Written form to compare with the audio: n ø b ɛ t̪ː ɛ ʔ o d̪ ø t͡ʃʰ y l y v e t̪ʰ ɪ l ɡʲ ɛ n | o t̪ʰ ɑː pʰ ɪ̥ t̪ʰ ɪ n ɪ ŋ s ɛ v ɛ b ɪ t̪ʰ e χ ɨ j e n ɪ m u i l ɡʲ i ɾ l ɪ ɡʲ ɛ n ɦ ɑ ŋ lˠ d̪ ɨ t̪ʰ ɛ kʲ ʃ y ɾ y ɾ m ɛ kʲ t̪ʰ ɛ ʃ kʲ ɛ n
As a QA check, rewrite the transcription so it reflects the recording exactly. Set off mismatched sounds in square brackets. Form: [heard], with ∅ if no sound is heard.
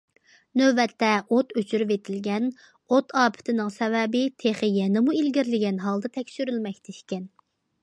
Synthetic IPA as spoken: n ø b ɛ t̪ː ɛ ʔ o [t̪] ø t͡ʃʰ y [ɾ] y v e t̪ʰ ɪ l ɡʲ ɛ n | o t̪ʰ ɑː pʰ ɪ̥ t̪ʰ ɪ n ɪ ŋ s ɛ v ɛ b ɪ t̪ʰ e χ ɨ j [ɛ] n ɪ m u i l ɡʲ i ɾ l ɪ ɡʲ ɛ n ɦ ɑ [∅] lˠ d̪ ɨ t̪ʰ ɛ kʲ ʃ y ɾ y [l] m ɛ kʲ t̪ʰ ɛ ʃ kʲ ɛ n